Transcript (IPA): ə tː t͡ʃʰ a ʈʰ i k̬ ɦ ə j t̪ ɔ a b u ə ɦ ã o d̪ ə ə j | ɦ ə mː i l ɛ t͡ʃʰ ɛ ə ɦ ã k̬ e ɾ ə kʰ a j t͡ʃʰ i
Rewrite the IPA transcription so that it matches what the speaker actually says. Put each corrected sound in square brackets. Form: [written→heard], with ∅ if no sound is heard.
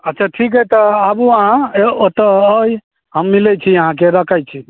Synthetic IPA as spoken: ə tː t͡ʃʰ a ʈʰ i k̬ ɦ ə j t̪ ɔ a b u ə ɦ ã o [d̪→t̪] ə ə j | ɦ ə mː i l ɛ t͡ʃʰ [ɛ→i] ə ɦ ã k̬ e ɾ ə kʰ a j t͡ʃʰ i